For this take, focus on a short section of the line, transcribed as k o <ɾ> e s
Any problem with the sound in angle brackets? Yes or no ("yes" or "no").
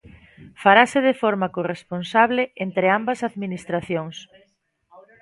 yes